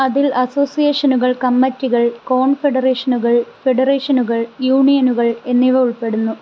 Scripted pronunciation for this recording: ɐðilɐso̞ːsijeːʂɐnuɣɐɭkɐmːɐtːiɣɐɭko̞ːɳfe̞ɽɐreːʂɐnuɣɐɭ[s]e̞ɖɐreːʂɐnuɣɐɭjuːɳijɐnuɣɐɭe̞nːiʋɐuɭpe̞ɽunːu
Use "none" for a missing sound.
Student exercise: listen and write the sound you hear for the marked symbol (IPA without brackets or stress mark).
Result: f